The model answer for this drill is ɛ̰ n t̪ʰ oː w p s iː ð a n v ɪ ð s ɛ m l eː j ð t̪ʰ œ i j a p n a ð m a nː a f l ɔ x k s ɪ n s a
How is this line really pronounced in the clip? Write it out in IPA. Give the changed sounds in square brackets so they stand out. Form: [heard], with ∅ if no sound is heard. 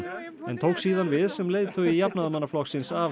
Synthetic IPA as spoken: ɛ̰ n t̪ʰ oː w [k] s iː ð a n v ɪ ð s ɛ m l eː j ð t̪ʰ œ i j a p n a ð m a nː a f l ɔ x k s ɪ n s a